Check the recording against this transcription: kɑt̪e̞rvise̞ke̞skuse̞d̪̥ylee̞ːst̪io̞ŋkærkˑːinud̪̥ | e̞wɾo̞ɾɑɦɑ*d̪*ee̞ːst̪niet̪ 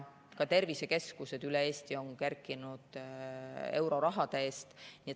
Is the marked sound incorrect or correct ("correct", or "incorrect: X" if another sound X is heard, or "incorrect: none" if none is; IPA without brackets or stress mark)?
correct